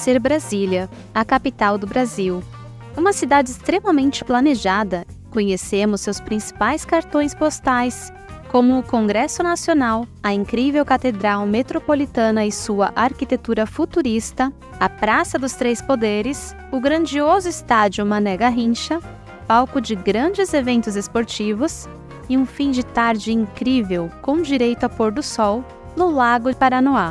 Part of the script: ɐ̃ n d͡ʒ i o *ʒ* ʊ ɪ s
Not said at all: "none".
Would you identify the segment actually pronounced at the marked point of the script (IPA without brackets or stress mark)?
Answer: z